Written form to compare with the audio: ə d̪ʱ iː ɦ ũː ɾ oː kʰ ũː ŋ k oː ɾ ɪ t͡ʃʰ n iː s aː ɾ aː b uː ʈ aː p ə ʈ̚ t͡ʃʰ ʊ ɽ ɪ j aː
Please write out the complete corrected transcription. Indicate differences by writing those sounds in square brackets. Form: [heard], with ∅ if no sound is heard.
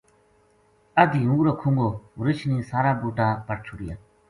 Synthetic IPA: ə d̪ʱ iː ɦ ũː ɾ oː kʰ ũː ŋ [ɡ] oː ɾ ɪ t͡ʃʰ n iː s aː ɾ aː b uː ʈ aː p ə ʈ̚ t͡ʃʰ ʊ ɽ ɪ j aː